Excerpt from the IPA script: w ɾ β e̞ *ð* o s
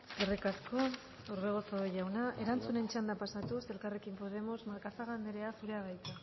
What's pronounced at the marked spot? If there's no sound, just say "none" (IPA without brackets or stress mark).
ɣ